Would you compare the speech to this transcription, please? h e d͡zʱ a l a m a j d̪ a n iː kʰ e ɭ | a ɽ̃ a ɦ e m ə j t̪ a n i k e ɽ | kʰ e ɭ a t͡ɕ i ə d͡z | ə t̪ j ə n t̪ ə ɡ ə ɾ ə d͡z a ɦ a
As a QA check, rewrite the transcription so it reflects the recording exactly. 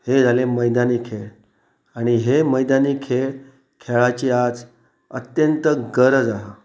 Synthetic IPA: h e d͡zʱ a l e m ə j d̪ a n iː kʰ e ɭ | a ɽ̃ i ɦ e m ə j d̪ a n i kʰ e ɭ | kʰ e ɭ a t͡ɕ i a d͡z | ə t̪ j ə n t̪ ə ɡ ə ɾ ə d͡z a ɦ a